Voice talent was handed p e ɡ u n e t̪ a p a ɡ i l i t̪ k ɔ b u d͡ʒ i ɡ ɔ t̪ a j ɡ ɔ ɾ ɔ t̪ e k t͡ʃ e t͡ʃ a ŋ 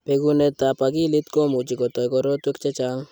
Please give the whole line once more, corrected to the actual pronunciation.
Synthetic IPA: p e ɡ u n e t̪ a p a ɡ i l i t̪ k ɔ m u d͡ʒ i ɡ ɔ t̪ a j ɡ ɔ ɾ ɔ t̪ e k t͡ʃ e t͡ʃ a ŋ